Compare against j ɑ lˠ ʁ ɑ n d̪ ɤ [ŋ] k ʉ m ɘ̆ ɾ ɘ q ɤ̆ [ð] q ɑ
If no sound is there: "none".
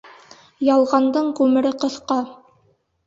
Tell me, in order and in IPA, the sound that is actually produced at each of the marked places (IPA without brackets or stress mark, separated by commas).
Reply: ɴ, θ